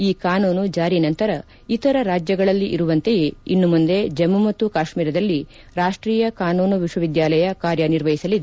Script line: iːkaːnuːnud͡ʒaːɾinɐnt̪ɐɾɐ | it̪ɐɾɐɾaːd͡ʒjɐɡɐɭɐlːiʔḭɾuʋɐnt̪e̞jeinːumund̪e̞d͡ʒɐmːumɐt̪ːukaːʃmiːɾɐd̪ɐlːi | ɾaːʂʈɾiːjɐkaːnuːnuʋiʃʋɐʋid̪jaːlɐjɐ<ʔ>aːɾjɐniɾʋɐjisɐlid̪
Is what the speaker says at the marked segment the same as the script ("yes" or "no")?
no